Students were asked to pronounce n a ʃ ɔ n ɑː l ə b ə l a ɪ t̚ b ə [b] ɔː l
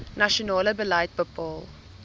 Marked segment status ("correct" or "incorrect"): incorrect